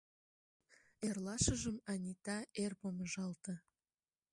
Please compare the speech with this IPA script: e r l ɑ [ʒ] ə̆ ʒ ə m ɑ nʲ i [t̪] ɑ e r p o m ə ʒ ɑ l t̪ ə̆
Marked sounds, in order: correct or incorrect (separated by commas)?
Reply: incorrect, correct